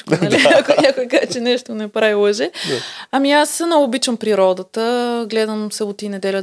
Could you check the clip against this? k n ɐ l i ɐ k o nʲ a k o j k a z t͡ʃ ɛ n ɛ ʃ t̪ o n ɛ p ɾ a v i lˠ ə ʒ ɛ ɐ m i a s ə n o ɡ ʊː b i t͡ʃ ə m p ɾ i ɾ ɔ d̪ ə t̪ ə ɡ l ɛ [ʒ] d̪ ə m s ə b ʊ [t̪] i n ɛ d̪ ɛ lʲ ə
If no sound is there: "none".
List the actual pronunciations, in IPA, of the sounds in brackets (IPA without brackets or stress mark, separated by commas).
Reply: none, t̪